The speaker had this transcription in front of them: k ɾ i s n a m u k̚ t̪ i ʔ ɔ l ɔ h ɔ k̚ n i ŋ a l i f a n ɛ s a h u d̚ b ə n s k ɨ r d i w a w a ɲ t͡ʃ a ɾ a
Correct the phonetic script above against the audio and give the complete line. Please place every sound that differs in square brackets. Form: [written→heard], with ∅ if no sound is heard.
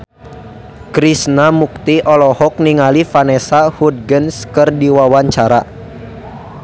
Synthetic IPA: k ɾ i s n a m u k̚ t̪ i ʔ ɔ l ɔ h ɔ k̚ n i ŋ a l i f a n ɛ s a h u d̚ [b→ɡ] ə n s k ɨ r d i w a w a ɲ t͡ʃ a ɾ a